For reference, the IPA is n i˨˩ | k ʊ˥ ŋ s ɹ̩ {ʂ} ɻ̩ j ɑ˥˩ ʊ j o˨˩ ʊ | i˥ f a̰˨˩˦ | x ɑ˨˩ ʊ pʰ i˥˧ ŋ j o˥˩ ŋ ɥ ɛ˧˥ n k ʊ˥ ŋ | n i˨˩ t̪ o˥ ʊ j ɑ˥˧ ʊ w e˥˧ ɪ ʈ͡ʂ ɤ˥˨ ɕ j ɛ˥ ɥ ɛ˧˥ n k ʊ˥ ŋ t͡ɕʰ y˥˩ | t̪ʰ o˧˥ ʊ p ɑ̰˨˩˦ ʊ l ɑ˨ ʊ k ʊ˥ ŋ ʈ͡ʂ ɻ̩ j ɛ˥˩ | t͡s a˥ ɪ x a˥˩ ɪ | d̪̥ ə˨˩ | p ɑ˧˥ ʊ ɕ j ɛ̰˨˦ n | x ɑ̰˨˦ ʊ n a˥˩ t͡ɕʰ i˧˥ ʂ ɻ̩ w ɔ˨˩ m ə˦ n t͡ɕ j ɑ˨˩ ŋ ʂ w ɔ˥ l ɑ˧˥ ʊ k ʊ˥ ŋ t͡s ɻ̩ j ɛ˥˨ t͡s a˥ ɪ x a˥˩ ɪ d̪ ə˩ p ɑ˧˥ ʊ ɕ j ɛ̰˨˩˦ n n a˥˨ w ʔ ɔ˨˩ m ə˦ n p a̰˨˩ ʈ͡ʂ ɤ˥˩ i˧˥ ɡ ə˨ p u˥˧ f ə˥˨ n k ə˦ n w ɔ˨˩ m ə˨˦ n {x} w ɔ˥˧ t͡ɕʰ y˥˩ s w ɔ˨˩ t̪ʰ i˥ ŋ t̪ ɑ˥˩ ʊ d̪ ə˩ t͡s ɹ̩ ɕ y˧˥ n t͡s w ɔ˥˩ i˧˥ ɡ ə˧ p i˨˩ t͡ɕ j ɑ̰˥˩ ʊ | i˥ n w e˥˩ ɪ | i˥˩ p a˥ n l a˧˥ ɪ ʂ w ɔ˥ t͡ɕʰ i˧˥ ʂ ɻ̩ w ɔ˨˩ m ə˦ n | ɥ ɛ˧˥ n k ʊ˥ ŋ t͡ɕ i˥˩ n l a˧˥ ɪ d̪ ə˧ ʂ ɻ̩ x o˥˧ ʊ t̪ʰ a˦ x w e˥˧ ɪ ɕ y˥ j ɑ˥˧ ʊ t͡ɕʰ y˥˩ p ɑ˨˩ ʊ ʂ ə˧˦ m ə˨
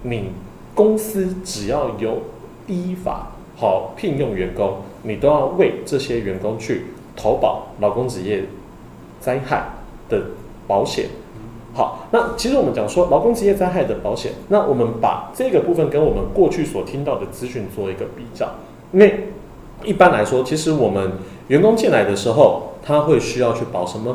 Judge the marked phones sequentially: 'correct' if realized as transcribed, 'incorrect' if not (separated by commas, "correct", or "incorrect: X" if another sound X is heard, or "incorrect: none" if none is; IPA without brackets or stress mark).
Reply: incorrect: ʈ͡ʂ, incorrect: k